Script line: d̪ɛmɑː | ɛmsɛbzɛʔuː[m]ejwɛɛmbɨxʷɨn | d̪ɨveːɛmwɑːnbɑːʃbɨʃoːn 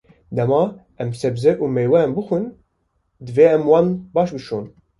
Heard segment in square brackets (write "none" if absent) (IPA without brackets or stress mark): m